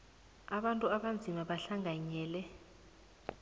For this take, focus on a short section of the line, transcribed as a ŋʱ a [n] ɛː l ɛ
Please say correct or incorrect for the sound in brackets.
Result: incorrect